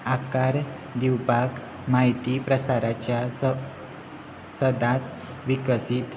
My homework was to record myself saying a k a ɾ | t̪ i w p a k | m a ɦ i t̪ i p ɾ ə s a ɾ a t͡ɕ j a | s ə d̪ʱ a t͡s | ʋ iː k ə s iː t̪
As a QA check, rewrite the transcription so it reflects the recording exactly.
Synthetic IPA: a k a ɾ | d̪ i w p a k | m a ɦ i t̪ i p ɾ ə s a ɾ a t͡ɕ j a | s ə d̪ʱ a t͡s | ʋ i k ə s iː t̪